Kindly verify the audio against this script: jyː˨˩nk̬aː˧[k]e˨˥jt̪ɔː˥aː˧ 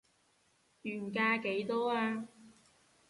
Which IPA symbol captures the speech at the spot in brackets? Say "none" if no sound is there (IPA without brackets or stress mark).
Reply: k